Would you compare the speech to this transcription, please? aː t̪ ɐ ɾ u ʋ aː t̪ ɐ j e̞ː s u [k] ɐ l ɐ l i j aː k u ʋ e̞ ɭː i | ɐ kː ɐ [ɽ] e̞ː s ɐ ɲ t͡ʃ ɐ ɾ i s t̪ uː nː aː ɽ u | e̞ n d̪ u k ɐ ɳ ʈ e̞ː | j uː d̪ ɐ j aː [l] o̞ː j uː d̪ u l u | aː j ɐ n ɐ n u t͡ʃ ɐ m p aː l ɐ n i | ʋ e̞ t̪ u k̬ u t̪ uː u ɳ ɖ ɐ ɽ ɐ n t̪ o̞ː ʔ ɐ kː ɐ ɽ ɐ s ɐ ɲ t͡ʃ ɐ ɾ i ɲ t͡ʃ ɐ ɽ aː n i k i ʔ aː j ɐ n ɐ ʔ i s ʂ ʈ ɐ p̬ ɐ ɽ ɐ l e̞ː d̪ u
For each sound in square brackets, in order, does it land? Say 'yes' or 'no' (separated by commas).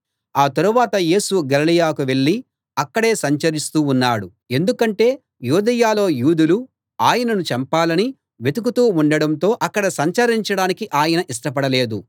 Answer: no, yes, yes